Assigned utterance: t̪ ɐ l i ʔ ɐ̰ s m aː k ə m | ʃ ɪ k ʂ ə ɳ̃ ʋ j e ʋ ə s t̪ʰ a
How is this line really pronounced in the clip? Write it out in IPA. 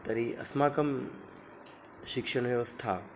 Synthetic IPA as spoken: t̪ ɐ ɾ i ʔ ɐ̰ s m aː k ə m | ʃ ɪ k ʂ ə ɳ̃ ʋ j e ʋ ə s t̪ʰ a